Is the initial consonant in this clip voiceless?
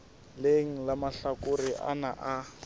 no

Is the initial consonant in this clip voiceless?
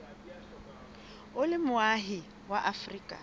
no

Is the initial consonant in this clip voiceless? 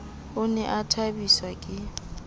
no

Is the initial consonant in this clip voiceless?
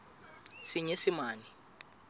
yes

